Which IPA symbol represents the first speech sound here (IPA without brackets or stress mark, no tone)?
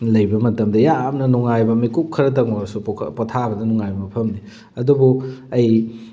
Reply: l